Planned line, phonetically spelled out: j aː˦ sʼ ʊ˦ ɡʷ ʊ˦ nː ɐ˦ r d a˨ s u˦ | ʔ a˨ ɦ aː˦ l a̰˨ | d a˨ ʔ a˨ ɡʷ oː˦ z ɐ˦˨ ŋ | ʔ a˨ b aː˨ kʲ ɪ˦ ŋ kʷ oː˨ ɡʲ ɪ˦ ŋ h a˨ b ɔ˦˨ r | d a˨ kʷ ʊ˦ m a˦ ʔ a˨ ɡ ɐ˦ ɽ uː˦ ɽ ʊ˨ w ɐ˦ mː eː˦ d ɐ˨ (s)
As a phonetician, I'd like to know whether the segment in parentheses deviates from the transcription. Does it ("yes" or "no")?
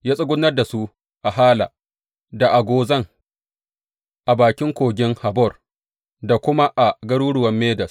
no